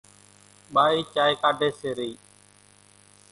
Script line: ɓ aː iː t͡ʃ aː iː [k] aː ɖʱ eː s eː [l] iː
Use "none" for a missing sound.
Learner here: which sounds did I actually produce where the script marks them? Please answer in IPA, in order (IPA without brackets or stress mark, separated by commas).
k, ɾ